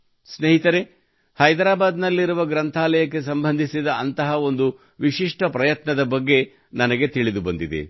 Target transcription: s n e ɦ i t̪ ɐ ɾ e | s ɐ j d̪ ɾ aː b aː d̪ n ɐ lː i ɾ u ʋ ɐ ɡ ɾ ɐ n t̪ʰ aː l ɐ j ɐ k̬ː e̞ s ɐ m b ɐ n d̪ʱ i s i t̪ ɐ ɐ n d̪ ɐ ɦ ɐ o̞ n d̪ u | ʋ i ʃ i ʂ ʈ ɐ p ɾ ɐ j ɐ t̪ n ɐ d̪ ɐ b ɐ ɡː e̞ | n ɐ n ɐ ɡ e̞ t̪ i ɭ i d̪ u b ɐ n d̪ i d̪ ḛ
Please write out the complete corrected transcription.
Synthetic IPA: s n e ɦ i t̪ ɐ ɾ e | h ɐ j d̪ ɾ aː b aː d̪ n ɐ lː i ɾ u ʋ ɐ ɡ ɾ ɐ n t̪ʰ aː l ɐ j ɐ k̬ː e̞ s ɐ m b ɐ n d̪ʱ i s i d̪ ɐ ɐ n t̪ ɐ ɦ ɐ o̞ n d̪ u | ʋ i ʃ i ʂ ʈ ɐ p ɾ ɐ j ɐ t̪ n ɐ d̪ ɐ b ɐ ɡː e̞ | n ɐ n ɐ ɡ e̞ t̪ i ɭ i d̪ u b ɐ n d̪ i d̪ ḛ